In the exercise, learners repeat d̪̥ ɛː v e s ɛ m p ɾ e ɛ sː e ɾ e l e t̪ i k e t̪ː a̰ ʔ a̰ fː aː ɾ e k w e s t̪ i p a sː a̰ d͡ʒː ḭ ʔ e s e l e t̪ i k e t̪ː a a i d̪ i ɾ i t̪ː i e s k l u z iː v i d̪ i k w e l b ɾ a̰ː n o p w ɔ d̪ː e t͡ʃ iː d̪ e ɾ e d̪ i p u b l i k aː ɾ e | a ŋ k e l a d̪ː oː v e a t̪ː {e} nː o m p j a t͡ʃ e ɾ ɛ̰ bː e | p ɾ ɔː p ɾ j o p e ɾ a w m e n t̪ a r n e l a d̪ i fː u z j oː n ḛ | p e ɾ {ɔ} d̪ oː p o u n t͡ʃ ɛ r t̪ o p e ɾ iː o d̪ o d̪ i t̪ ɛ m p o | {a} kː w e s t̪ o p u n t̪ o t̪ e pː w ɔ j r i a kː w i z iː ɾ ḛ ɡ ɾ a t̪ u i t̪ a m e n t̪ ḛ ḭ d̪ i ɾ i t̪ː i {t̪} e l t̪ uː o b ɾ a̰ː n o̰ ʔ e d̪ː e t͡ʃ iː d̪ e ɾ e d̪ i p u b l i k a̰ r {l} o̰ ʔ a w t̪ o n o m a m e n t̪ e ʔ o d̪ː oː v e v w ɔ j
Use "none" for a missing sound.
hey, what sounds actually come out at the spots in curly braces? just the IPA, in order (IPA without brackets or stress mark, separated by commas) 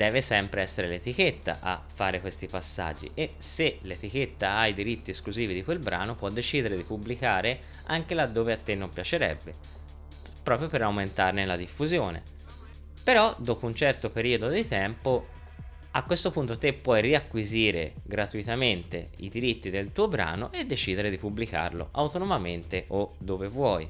e, ɔ, a, d̪, l